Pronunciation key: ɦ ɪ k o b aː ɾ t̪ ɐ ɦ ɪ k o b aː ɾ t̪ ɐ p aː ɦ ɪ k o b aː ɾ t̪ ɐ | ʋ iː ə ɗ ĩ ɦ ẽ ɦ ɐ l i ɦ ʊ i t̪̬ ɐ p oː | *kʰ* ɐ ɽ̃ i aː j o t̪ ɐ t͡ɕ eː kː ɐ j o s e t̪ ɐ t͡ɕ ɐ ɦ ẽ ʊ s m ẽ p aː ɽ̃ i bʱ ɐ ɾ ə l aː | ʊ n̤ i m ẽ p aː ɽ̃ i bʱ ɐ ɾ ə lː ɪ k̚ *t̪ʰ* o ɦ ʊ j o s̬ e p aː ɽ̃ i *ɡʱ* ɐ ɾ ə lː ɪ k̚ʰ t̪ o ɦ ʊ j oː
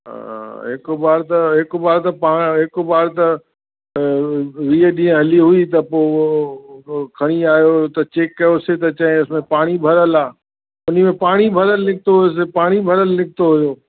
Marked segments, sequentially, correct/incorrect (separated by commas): correct, incorrect, incorrect